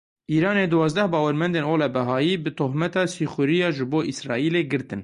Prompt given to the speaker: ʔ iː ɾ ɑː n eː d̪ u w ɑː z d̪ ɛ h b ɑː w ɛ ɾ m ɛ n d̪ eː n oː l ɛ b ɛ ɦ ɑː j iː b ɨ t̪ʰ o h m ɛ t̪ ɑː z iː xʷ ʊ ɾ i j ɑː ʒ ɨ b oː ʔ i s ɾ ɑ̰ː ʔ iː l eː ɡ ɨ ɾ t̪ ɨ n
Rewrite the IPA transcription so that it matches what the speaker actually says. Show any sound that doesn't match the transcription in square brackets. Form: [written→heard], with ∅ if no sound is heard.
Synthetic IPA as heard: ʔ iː ɾ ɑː n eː d̪ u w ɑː z d̪ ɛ h b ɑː w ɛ ɾ m ɛ n d̪ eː n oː l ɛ b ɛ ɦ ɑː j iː b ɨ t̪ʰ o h m ɛ t̪ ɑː [z→s] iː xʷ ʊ ɾ i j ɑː ʒ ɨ b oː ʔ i s ɾ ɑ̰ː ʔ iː l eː ɡ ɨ ɾ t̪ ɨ n